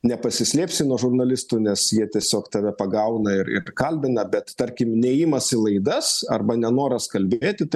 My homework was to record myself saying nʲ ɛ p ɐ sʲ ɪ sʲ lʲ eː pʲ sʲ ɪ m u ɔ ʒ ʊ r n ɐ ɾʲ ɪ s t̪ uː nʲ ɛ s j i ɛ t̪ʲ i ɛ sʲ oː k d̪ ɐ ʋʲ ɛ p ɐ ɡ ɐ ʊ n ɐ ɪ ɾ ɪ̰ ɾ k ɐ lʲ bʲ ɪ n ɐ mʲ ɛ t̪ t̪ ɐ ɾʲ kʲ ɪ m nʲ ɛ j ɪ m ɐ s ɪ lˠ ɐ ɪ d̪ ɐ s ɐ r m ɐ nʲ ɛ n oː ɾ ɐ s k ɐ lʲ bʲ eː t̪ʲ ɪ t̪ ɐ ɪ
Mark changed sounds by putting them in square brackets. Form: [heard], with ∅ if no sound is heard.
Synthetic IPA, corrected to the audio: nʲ ɛ p ɐ sʲ ɪ sʲ lʲ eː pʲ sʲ ɪ [n] u ɔ ʒ ʊ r n ɐ [lʲ] ɪ s t̪ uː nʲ ɛ s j i ɛ t̪ʲ i ɛ sʲ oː k [t̪] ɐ ʋʲ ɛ p ɐ ɡ ɐ ʊ n ɐ ɪ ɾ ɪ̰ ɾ k ɐ lʲ bʲ ɪ n ɐ [bʲ] ɛ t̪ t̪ ɐ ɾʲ kʲ ɪ m nʲ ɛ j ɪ m ɐ s ɪ lˠ ɐ ɪ d̪ ɐ s ɐ r [b] ɐ nʲ ɛ n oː ɾ ɐ s k ɐ lʲ bʲ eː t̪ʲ ɪ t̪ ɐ ɪ